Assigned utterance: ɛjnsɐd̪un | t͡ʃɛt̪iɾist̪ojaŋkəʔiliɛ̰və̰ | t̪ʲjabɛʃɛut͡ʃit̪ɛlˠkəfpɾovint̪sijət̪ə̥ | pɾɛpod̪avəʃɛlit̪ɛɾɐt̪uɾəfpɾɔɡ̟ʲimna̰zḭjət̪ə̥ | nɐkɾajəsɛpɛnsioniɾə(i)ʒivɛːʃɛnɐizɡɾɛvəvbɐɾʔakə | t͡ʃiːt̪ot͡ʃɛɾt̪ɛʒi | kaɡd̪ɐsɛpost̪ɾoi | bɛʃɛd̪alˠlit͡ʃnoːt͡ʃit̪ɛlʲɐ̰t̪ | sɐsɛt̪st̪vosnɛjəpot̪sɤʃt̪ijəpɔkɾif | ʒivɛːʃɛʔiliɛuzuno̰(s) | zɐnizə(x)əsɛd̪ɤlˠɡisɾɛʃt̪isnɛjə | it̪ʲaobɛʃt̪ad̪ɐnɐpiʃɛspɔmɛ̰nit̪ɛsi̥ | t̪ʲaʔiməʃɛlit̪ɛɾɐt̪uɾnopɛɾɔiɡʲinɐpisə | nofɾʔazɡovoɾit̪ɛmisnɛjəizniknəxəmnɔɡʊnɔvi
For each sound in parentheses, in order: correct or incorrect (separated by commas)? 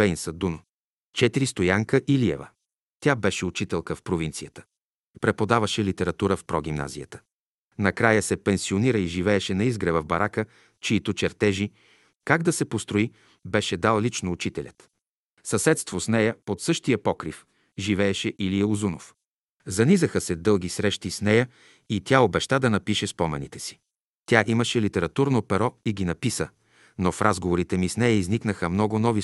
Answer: correct, incorrect, correct